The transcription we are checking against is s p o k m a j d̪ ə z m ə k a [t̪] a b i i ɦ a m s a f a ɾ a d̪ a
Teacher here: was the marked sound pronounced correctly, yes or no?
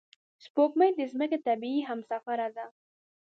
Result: yes